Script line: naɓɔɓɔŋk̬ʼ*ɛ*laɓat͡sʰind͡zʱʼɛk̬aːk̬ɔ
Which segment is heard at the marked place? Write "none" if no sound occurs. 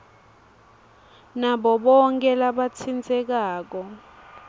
ɛ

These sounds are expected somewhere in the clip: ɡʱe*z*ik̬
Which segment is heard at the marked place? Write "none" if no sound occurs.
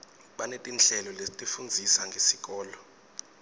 s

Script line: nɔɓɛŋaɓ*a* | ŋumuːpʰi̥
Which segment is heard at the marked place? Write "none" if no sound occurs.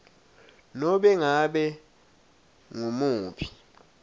ɛ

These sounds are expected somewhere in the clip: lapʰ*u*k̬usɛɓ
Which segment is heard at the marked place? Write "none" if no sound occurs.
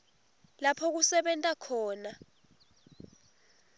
ɔ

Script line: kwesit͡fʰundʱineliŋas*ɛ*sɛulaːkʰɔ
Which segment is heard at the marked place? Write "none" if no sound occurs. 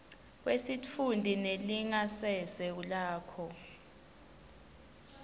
ɛ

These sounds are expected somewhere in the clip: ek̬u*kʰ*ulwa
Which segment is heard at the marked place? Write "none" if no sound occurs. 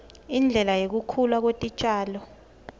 kʰ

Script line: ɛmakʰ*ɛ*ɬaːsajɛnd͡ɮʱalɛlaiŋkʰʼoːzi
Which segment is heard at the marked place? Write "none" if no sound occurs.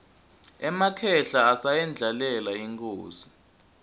ɛ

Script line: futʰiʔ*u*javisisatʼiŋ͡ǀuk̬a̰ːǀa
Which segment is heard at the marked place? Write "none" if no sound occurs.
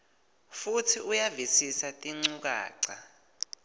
u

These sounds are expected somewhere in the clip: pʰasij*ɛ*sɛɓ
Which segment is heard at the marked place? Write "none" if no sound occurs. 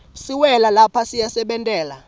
a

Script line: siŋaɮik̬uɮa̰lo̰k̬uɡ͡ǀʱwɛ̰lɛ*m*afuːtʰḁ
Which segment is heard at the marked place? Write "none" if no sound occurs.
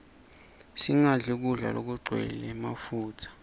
m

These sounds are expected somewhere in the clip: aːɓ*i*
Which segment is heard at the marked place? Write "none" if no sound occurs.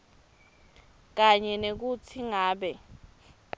ɛ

